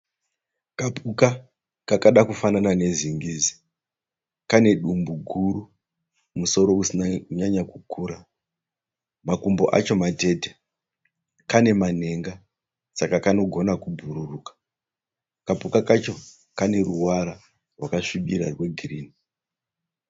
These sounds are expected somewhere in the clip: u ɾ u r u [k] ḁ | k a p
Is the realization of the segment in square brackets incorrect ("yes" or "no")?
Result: no